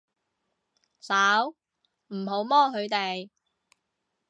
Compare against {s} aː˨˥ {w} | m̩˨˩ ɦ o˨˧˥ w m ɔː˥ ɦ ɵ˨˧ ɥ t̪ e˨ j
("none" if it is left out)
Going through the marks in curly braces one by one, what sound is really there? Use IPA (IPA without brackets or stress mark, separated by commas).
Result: s, w